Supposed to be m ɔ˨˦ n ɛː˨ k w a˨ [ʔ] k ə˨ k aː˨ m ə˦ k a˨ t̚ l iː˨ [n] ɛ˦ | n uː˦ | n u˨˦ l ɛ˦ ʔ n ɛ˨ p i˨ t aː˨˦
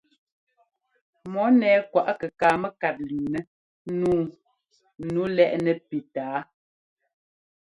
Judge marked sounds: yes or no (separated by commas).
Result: yes, yes